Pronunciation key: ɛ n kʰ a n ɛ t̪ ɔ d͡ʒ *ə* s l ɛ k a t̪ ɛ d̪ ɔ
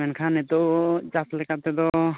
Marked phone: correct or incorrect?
incorrect